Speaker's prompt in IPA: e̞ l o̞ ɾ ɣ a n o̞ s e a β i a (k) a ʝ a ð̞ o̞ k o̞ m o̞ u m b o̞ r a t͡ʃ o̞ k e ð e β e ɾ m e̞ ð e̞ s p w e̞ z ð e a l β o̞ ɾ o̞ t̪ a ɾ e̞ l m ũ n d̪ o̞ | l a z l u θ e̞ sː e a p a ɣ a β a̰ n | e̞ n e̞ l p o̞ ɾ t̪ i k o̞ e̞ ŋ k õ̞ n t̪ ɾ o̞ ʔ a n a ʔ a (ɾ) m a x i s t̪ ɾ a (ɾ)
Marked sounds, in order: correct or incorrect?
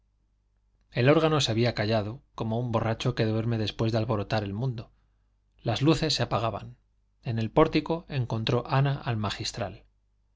correct, incorrect, incorrect

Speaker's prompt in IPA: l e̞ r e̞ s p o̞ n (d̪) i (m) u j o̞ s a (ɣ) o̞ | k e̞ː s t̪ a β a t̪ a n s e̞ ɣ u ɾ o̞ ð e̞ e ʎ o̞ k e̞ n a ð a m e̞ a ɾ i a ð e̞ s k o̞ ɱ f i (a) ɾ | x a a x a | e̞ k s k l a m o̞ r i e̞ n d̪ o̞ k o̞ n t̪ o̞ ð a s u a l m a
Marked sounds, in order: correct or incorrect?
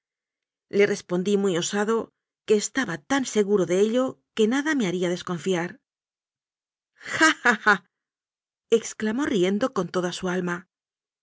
correct, correct, incorrect, correct

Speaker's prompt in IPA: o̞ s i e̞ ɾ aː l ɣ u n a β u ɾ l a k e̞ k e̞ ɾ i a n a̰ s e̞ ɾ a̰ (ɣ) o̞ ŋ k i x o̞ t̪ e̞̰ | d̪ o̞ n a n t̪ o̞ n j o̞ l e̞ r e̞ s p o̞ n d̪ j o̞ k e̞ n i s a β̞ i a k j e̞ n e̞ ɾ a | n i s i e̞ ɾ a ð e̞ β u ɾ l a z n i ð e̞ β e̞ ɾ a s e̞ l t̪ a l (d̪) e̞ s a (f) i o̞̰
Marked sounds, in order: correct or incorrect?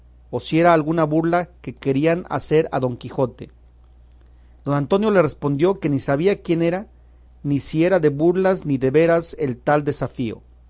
incorrect, correct, correct

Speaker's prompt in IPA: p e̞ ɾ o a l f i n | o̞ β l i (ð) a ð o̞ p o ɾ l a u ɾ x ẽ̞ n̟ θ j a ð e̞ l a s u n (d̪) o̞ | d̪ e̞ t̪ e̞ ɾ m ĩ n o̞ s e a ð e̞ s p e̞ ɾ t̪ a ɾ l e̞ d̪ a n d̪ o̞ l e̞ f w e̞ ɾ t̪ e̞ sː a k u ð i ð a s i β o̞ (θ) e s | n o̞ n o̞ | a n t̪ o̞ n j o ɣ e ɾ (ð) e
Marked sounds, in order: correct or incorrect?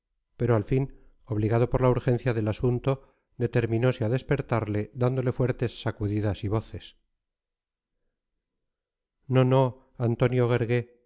incorrect, incorrect, correct, incorrect

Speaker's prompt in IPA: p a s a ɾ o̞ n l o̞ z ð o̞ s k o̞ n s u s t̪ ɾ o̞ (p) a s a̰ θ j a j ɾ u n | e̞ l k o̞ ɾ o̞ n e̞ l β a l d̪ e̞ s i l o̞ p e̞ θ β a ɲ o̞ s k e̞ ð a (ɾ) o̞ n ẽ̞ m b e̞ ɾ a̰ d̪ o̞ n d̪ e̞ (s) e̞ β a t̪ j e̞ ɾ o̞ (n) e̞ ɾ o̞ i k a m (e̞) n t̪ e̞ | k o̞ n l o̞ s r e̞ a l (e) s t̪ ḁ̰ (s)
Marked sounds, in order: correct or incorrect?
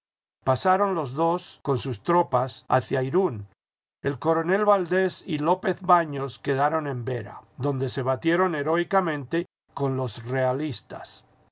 correct, correct, correct, correct, incorrect, incorrect, correct

